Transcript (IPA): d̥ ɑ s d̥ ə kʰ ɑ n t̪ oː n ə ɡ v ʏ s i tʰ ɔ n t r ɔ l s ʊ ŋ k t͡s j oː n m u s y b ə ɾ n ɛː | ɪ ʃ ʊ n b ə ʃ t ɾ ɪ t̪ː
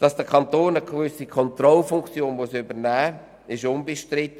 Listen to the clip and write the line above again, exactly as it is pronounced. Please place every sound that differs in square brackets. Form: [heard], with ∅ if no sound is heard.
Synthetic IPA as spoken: d̥ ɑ s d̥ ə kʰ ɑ n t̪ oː n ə ɡ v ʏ s i [kʰ] ɔ n t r ɔ l [f] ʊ ŋ k t͡s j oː n m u s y b ə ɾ n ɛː | ɪ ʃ ʊ n b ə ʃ t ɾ ɪ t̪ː